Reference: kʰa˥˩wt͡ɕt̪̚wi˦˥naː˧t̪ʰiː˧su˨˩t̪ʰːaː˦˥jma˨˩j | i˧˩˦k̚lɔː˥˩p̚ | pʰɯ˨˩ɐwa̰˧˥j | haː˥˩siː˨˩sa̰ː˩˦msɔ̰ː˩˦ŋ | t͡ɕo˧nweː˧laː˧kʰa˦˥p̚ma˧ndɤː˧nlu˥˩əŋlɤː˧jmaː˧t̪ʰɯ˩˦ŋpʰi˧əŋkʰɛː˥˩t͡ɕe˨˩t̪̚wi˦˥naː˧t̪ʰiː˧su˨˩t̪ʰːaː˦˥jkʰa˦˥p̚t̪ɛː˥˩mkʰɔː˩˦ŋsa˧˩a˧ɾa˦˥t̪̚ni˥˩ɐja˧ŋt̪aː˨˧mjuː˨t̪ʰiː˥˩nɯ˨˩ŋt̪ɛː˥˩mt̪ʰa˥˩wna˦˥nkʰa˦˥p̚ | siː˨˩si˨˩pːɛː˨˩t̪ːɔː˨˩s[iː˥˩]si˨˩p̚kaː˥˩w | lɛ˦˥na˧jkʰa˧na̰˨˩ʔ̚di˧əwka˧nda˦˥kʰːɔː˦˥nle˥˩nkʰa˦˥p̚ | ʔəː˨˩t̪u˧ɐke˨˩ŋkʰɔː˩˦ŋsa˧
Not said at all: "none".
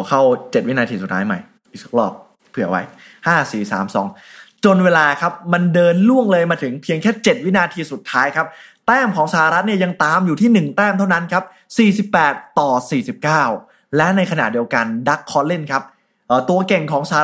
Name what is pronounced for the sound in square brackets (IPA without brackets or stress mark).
iː˨˩